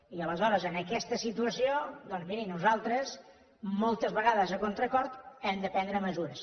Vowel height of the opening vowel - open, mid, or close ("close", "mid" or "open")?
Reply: close